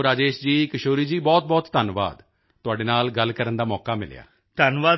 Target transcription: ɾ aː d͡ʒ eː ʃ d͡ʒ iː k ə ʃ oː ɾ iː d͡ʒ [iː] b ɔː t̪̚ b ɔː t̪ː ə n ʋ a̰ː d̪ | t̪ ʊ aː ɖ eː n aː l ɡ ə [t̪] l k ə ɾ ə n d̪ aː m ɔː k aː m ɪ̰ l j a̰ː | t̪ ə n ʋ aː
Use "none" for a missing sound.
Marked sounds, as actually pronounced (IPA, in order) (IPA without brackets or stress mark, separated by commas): iː, none